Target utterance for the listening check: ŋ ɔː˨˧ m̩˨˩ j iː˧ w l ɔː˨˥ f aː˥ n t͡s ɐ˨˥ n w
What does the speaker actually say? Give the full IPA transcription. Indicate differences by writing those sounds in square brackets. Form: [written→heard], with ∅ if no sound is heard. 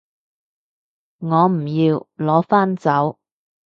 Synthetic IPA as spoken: ŋ ɔː˨˧ m̩˨˩ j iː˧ w l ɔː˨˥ f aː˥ n t͡s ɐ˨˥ [n→∅] w